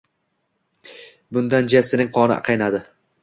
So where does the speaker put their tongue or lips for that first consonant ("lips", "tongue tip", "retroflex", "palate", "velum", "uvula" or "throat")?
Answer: lips